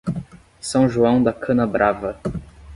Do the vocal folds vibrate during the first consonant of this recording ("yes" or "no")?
no